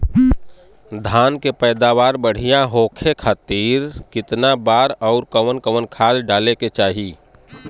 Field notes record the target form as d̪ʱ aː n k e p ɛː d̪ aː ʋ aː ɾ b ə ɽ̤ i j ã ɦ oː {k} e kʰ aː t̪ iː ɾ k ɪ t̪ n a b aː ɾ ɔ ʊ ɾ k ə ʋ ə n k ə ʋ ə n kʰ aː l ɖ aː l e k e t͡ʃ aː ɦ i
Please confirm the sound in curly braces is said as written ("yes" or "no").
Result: no